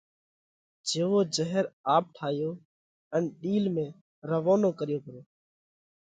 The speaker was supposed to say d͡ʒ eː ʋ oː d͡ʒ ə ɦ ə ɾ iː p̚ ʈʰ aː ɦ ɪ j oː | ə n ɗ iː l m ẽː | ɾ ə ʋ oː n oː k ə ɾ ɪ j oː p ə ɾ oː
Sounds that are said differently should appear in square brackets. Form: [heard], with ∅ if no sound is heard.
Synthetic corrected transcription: d͡ʒ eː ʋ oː d͡ʒ ə ɦ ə ɾ [aː] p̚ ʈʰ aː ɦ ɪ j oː | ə n ɗ iː l m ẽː | ɾ ə ʋ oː n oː k ə ɾ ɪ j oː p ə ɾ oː